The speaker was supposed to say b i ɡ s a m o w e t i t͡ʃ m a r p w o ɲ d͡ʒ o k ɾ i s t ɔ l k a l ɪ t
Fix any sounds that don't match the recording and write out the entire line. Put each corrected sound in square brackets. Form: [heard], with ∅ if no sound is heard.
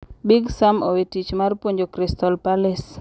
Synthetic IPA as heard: b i ɡ s a m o w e t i t͡ʃ m a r p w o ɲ d͡ʒ o k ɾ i s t ɔ l [p] a l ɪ [s]

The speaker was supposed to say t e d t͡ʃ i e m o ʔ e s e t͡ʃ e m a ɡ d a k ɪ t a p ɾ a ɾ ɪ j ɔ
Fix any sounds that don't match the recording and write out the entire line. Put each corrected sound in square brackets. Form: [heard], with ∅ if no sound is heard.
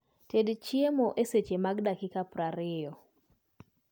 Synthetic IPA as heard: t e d t͡ʃ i e m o ʔ e s e t͡ʃ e m a ɡ d a k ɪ [k] a p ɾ a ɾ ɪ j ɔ

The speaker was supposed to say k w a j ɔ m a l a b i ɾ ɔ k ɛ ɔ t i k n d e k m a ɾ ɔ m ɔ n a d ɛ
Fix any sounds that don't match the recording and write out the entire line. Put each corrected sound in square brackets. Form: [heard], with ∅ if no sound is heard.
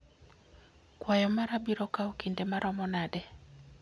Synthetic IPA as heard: k w a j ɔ m a [ɾ] a b i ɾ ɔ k [a] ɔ [k] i [∅] n d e [∅] m a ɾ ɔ m ɔ n a d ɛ

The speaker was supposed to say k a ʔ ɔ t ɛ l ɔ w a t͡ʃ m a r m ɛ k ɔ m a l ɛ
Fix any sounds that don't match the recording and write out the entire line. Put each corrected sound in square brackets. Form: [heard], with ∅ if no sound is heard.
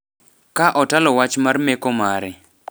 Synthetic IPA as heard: k a ʔ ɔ t [a] l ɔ w a t͡ʃ m a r m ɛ k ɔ m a [ɾ] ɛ

